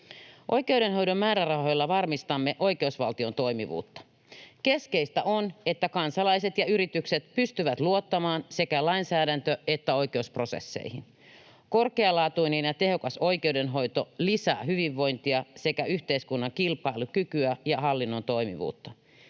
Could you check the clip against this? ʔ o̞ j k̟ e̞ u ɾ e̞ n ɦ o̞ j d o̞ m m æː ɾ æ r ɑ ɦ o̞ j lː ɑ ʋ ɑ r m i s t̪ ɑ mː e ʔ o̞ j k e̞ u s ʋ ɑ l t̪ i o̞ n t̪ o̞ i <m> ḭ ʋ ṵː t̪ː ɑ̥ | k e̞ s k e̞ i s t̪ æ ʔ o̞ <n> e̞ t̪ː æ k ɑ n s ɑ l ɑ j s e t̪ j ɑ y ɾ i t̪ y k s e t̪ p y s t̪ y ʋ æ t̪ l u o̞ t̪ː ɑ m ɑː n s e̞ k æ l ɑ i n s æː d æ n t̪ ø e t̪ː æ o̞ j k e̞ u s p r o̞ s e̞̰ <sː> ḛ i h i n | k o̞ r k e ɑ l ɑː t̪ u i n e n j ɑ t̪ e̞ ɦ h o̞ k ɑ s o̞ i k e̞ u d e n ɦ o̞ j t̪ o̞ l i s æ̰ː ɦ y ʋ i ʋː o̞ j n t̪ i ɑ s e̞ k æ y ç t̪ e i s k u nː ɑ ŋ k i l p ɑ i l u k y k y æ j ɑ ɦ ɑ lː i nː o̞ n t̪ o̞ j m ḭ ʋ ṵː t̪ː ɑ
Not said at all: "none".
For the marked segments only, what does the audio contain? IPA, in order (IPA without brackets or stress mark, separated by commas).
m, n, sː